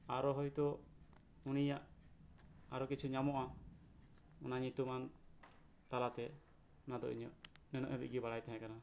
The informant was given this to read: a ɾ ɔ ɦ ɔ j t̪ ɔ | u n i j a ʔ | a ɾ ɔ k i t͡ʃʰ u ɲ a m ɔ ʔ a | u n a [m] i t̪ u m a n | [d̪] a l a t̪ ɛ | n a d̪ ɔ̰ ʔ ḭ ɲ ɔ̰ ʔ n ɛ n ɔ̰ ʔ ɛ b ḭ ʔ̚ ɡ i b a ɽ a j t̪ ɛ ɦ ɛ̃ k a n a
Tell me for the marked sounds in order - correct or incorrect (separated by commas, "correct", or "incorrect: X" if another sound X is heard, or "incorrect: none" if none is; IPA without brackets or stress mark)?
incorrect: ɲ, incorrect: t̪